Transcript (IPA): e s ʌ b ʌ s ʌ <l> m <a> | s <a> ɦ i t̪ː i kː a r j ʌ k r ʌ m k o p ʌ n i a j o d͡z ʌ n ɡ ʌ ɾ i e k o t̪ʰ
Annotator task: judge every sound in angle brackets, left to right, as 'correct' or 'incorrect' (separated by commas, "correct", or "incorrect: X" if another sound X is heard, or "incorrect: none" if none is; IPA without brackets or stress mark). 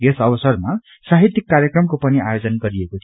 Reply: incorrect: r, correct, correct